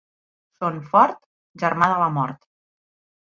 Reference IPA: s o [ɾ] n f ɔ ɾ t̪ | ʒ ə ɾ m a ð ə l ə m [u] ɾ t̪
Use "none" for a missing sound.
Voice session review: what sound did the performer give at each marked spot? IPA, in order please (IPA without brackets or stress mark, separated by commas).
none, ɔ